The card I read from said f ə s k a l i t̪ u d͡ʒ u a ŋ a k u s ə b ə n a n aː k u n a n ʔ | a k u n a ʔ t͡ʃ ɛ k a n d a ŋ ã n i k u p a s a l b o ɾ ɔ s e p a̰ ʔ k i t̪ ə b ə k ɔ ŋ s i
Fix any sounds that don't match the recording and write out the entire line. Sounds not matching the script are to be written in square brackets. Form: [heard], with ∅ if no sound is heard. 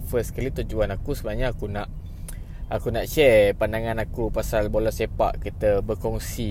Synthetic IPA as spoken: f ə s k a l i t̪ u d͡ʒ u a [n] a k u s ə b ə n a [ɲ] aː k u n a [∅] ʔ | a k u n a ʔ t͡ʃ ɛ [p] a n d a ŋ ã n [a] k u p a s a l b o [l] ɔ s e p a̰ ʔ k i t̪ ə b ə k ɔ ŋ s i